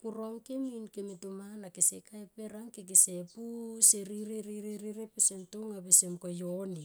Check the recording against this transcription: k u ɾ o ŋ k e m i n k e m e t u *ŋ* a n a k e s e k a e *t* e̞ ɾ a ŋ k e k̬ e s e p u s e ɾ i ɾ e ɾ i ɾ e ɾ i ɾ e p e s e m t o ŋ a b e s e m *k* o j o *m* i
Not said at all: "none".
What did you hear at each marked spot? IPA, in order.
m, p, k, n

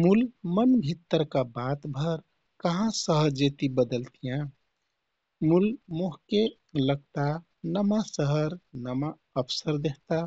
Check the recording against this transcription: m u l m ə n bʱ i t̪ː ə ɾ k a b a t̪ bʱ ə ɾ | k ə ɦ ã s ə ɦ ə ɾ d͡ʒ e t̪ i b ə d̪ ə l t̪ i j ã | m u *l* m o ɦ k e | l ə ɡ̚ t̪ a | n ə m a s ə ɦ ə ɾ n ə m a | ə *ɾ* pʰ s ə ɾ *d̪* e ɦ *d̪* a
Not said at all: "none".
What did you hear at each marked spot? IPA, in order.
l, none, d̪, t̪

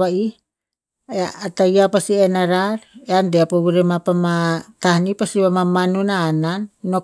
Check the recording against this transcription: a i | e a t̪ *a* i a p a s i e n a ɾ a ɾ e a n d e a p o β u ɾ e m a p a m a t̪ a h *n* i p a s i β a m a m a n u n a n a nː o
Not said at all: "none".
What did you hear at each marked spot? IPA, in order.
a, n

